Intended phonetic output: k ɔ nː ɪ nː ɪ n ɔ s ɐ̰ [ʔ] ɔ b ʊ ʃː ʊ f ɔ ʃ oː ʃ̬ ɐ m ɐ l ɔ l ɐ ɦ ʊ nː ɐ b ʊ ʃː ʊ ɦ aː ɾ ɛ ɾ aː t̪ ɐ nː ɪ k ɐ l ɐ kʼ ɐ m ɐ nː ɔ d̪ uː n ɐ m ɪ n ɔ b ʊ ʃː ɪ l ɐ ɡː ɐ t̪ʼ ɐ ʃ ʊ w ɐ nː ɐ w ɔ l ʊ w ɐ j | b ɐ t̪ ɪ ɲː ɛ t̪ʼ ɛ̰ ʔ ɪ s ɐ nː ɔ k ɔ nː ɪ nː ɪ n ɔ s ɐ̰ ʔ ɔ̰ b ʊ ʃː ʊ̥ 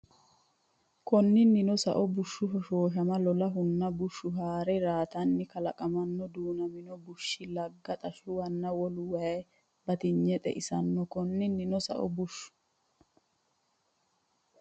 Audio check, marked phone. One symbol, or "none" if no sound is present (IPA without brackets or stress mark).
ʔ